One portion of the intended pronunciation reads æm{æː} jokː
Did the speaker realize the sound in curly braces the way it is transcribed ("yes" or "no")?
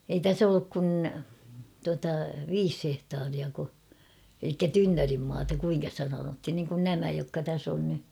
no